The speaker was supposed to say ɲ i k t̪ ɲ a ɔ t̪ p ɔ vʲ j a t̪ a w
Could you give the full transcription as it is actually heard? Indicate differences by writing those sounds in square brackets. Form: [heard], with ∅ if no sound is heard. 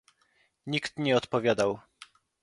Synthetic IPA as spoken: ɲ i k t̪ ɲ [ɛ] ɔ t̪ p ɔ vʲ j a [d̪] a w